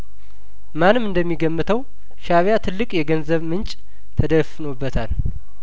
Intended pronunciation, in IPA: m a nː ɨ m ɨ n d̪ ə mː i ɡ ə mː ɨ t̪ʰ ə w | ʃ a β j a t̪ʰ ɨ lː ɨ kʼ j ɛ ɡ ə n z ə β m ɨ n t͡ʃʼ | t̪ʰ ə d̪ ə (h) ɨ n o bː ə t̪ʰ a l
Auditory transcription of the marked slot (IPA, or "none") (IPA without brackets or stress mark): f